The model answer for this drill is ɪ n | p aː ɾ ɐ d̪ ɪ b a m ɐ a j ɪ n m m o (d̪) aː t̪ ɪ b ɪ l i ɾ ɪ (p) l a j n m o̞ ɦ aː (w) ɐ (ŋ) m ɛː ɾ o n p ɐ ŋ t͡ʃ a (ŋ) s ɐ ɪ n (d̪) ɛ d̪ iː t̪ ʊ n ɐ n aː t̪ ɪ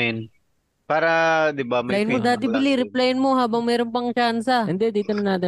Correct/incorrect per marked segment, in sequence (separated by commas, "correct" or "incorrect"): correct, correct, incorrect, correct, incorrect, correct